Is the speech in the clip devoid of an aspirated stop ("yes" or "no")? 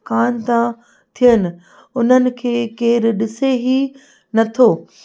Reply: no